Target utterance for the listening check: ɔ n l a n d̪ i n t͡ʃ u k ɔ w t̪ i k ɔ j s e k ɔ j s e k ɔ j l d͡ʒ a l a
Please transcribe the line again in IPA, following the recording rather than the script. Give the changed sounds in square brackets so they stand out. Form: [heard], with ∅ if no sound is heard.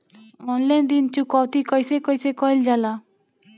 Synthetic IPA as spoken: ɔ n l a n d̪ i n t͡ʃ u k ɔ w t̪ i k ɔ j s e k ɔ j s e k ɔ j l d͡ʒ a l a

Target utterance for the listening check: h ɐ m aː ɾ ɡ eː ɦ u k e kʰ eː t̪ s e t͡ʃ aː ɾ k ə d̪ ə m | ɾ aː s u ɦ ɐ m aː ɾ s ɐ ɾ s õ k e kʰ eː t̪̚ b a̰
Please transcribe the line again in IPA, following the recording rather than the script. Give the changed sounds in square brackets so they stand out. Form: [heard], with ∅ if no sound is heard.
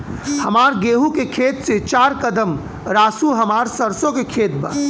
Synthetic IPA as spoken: h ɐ m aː ɾ ɡ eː ɦ u k e kʰ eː t̪ s e t͡ʃ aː ɾ k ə d̪ ə m | ɾ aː s u ɦ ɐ m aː ɾ s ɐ ɾ s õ k e kʰ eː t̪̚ b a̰

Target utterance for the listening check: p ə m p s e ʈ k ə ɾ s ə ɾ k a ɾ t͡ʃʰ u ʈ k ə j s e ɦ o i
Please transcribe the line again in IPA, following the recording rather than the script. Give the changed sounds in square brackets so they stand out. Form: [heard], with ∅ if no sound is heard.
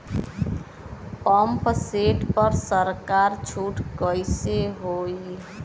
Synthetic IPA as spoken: p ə m p s e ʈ [p] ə ɾ s ə ɾ k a ɾ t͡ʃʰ u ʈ k ə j s e ɦ o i

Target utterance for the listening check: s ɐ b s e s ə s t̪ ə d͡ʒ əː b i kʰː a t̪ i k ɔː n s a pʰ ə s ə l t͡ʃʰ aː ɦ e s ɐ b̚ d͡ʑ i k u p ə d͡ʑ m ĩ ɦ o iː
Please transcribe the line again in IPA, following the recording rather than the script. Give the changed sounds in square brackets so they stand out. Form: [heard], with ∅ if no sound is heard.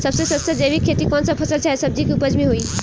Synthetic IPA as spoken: s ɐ b s e s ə s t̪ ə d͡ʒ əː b i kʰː [e] t̪ i k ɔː n s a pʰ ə s ə l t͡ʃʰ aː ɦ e s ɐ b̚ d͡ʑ i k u p ə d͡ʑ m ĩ ɦ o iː

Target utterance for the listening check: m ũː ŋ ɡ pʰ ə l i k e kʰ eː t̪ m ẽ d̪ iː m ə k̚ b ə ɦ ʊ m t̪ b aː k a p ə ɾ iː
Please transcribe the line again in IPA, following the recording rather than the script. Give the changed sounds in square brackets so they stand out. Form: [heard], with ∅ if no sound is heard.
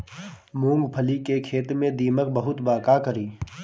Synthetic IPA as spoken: m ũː ŋ ɡ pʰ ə l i k e kʰ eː t̪ m ẽ d̪ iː m ə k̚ b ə ɦ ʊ [∅] t̪ b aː k a [k] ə ɾ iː

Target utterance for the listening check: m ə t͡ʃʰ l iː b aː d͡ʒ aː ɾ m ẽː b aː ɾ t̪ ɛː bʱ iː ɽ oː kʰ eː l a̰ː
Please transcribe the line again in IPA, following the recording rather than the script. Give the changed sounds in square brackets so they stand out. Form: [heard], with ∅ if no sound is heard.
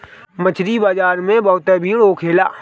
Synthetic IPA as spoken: m ə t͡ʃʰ [ɾ] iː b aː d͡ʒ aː ɾ m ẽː b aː [∅] t̪ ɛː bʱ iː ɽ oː kʰ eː l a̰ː

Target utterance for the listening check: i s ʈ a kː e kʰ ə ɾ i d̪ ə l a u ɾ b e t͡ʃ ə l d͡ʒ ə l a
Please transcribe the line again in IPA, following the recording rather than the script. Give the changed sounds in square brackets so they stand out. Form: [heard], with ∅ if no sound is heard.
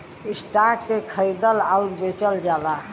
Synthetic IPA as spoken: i s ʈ a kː e kʰ ə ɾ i d̪ ə l a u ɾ b e t͡ʃ ə l d͡ʒ [a] l a

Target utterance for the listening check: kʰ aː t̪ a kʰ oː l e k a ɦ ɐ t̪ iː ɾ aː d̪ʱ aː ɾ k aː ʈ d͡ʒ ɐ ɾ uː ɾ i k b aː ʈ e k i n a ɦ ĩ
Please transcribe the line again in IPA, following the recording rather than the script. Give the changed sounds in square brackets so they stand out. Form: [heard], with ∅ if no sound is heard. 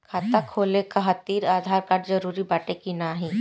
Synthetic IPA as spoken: kʰ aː t̪ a kʰ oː l e k a ɦ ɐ t̪ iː ɾ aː d̪ʱ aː ɾ k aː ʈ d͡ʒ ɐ ɾ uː ɾ i [∅] b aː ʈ e k i n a ɦ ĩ

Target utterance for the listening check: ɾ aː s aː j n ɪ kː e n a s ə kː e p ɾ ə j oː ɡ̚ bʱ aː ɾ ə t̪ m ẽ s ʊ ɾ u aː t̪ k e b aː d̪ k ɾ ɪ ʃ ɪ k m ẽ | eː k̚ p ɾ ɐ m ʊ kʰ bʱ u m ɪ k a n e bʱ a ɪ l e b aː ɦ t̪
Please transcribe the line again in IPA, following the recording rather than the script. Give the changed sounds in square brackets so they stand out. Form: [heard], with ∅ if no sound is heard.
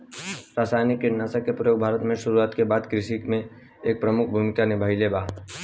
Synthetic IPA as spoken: ɾ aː s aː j n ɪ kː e n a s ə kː e p ɾ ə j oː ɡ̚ bʱ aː ɾ ə t̪ m ẽ [ʃ] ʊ ɾ u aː t̪ k e b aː d̪ k ɾ ɪ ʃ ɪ k m ẽ | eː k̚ p ɾ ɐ m ʊ kʰ bʱ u m ɪ k a n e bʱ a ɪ l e b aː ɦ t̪

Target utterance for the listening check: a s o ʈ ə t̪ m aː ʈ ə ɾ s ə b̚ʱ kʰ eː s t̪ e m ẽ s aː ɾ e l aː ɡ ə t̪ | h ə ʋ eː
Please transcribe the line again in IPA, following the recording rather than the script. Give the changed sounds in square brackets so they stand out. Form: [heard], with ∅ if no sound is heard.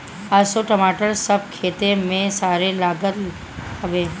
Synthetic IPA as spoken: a s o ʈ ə [∅] m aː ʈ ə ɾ s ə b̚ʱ kʰ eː [∅] t̪ e m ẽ s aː ɾ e l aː ɡ ə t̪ | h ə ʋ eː

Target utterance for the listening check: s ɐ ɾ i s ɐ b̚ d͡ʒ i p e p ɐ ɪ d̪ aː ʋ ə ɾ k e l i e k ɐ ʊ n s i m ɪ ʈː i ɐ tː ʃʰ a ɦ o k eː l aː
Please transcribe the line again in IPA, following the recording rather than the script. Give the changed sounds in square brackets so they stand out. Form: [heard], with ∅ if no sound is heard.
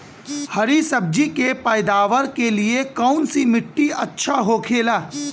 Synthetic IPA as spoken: [h] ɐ ɾ i s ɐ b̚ d͡ʒ i [k] e p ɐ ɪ d̪ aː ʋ ə ɾ k e l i e k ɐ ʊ n s i m ɪ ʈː i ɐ tː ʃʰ a ɦ o [kʰ] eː l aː

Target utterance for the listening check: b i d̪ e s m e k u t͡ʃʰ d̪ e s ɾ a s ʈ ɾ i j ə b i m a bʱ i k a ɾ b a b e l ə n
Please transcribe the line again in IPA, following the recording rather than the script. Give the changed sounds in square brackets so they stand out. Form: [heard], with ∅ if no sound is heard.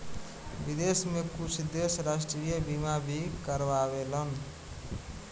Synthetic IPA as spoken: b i d̪ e s m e k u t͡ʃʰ d̪ e s ɾ a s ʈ ɾ i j ə b i m a bʱ i k [ə] ɾ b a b e l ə n

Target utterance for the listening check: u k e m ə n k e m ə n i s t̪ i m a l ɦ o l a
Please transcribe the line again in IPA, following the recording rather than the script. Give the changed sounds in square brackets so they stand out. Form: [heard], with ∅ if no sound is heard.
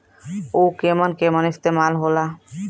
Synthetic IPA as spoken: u k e m ə n k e m ə n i s t̪ [e] m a l ɦ o l a

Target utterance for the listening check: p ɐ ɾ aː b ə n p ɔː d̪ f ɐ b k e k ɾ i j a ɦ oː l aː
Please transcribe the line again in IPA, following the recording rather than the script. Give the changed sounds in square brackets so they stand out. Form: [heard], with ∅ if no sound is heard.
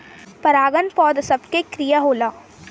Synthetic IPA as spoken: p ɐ ɾ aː [ɡ] ə n p ɔː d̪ [s] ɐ b k e k ɾ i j a ɦ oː l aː

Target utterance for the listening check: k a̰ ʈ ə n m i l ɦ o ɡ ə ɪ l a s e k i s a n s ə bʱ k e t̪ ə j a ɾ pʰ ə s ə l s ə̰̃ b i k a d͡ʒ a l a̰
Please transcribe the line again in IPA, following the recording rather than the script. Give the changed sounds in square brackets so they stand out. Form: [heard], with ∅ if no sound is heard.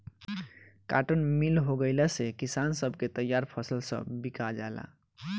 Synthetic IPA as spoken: k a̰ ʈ ə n m i l ɦ o ɡ ə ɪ l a s e k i s a n s ə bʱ k e t̪ ə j a ɾ pʰ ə s ə l s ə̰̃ b i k a d͡ʒ a l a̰

